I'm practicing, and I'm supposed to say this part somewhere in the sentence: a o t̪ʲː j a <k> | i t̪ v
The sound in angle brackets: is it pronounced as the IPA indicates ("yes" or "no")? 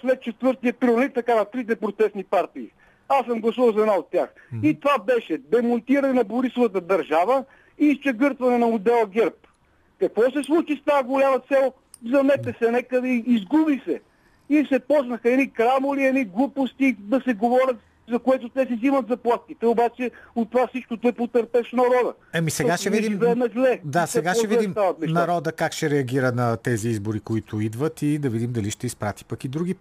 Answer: no